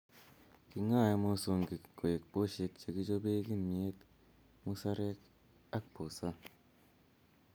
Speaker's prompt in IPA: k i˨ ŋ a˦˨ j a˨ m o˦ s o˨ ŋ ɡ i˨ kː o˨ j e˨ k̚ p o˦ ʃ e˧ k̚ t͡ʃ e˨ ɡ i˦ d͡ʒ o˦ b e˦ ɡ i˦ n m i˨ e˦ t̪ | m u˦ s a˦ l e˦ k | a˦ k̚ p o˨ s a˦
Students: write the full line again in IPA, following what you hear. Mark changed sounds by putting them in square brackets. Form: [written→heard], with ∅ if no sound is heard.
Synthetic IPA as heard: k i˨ ŋ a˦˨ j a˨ m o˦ s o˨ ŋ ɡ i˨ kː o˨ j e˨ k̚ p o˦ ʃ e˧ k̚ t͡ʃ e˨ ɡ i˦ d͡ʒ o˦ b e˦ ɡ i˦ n m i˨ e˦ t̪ | m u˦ s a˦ [l→ɾ] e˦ k | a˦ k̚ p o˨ s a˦

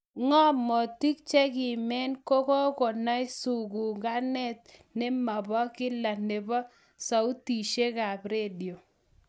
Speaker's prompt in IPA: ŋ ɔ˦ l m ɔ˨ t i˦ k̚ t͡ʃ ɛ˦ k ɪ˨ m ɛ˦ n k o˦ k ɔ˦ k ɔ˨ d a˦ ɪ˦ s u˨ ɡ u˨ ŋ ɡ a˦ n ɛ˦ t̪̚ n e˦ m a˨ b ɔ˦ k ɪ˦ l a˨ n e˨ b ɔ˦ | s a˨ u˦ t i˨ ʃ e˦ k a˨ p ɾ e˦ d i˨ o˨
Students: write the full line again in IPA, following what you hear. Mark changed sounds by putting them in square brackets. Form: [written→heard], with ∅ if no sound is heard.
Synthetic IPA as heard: ŋ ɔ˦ [l→∅] m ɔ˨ t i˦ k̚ t͡ʃ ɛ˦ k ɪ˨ m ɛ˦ n k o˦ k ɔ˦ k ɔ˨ [d→n] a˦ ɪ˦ s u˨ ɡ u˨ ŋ ɡ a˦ n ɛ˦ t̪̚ n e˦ m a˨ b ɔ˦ k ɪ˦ l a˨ n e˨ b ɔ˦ | s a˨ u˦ t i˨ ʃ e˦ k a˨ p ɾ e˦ d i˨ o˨

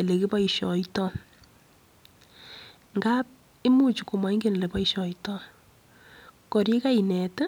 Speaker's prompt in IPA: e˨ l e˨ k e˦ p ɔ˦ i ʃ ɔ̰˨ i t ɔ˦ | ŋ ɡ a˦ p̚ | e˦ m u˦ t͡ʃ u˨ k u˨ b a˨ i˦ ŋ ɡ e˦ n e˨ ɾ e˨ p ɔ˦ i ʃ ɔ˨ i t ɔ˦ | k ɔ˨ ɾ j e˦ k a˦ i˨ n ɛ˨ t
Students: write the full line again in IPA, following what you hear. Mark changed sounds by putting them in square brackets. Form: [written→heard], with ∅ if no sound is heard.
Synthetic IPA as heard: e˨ l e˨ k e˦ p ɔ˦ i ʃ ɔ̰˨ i t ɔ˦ | ŋ ɡ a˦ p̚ | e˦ m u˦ t͡ʃ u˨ k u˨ [b→m] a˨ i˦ ŋ ɡ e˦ n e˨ [ɾ→l] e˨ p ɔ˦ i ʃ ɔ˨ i t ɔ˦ | k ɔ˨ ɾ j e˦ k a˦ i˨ n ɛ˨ t

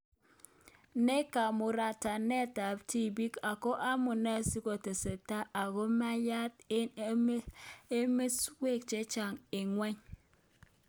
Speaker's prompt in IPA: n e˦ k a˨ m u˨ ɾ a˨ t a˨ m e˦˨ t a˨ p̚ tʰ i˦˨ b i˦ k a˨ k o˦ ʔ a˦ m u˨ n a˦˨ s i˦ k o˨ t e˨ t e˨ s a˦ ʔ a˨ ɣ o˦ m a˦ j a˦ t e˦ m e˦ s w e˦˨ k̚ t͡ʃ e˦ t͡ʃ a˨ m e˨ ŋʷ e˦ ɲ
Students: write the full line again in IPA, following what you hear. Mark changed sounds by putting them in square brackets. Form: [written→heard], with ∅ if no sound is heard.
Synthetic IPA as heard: n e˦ k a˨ m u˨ ɾ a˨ t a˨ [m→n] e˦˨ t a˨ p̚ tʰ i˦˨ b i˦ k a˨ k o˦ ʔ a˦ m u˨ n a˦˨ s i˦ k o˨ t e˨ [t→s] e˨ [s→t] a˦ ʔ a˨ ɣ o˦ m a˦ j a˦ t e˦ m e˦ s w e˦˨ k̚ t͡ʃ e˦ t͡ʃ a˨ [m→ŋ] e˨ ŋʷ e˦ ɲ

